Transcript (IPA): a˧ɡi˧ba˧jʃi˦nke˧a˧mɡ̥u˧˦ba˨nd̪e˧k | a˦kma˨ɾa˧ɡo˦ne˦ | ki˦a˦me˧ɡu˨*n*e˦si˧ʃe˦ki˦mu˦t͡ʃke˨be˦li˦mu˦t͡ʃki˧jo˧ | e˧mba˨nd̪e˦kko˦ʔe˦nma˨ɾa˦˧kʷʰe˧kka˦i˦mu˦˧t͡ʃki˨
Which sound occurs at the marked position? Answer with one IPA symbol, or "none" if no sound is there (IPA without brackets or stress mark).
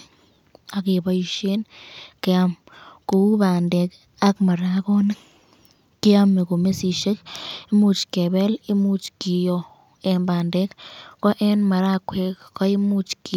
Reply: m